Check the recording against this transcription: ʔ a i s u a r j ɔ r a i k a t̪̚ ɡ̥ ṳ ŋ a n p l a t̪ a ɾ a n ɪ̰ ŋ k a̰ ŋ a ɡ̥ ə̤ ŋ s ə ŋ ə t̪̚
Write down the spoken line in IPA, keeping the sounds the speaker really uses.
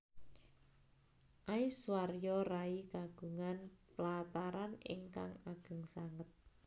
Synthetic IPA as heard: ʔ a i s w a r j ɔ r a i k a ɡ̥ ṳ ŋ a n p l a t̪ a ɾ a n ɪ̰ ŋ k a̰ ŋ a ɡ̥ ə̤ ŋ s a ŋ ə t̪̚